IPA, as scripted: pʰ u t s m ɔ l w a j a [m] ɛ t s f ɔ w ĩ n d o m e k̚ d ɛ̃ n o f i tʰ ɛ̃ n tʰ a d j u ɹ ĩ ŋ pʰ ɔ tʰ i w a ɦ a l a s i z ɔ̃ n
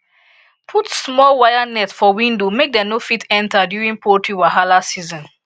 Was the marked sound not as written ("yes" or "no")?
yes